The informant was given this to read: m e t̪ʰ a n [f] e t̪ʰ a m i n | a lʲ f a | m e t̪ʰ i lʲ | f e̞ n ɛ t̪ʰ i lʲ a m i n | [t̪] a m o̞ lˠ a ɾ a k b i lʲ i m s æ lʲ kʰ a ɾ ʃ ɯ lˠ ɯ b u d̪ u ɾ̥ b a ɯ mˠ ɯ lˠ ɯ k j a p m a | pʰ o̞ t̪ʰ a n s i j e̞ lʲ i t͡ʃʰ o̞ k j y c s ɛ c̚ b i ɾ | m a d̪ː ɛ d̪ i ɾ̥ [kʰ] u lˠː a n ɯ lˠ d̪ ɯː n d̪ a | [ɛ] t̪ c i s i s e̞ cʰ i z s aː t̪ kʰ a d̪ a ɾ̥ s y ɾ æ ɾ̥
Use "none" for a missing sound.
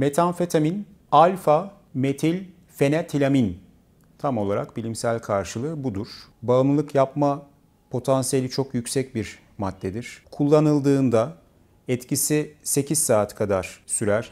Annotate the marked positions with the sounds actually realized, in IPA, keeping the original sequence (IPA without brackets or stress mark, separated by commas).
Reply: f, t̪ʰ, kʰ, ɛ